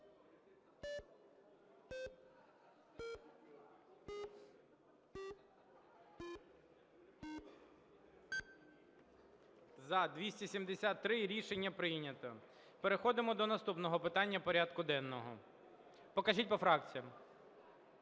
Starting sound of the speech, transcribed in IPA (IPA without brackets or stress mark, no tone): z